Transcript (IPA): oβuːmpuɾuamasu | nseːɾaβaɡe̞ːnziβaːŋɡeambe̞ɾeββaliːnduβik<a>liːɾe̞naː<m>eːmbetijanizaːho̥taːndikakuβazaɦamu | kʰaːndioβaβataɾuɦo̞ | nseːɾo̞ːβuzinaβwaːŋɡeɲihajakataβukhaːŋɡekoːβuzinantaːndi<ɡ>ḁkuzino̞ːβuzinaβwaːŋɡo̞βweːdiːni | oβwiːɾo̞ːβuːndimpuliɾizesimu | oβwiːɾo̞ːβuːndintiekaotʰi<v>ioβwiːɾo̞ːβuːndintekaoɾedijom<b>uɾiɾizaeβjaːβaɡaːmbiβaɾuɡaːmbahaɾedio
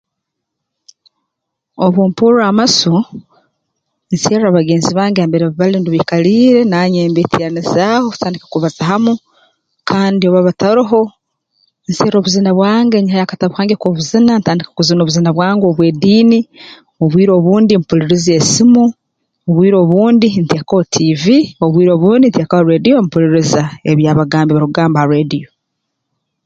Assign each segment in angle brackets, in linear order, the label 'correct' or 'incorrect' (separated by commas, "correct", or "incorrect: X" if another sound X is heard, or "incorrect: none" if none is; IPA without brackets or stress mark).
correct, incorrect: ɲ, incorrect: k, correct, incorrect: p